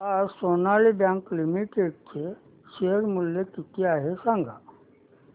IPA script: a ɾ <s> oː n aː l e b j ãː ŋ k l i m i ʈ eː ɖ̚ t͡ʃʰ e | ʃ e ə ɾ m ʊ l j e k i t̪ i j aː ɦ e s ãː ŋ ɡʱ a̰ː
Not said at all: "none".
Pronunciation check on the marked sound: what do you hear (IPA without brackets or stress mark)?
s